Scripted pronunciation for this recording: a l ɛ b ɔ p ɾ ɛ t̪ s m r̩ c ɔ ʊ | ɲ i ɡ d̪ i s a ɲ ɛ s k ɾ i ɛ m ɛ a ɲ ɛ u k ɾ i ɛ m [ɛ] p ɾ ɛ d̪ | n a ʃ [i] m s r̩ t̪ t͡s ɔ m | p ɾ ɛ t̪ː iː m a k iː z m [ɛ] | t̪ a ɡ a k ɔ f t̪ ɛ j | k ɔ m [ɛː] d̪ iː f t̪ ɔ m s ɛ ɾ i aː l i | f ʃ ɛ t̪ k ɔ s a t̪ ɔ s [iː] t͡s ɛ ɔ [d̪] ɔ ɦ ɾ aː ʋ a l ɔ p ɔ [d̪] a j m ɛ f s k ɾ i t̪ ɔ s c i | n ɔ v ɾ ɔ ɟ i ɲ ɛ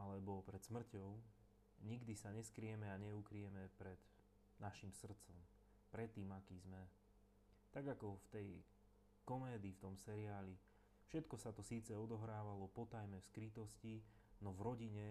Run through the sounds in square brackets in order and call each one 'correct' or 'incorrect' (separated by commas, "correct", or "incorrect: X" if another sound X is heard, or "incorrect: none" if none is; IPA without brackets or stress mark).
correct, correct, correct, correct, correct, correct, incorrect: t̪